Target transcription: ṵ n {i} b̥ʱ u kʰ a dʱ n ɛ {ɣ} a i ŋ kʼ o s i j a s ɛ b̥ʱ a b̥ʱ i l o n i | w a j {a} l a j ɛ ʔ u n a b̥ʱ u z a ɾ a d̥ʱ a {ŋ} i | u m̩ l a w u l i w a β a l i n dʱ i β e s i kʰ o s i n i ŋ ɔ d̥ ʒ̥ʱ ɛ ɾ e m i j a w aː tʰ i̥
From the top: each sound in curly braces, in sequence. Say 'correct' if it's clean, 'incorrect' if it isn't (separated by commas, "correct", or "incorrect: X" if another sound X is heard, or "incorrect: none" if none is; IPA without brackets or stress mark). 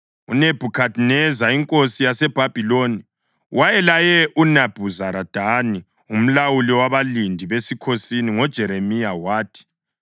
incorrect: e, incorrect: z, incorrect: ɛ, incorrect: n